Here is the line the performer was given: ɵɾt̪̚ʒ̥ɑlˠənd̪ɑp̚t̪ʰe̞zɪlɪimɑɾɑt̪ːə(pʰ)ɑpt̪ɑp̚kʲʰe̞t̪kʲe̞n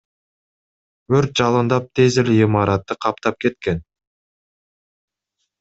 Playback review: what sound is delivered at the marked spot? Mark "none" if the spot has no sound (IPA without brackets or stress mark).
qʰ